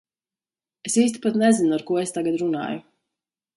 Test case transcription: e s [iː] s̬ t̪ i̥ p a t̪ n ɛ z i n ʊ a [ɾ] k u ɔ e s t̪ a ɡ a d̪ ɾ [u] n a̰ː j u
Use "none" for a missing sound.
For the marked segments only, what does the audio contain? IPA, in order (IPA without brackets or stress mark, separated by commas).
iː, ɾ, u